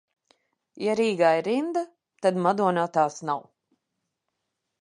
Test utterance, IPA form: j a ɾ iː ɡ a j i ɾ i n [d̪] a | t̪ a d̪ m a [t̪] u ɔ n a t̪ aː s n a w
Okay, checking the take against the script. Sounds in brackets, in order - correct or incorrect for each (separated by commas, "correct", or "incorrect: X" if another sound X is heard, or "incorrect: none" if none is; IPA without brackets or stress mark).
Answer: correct, incorrect: d̪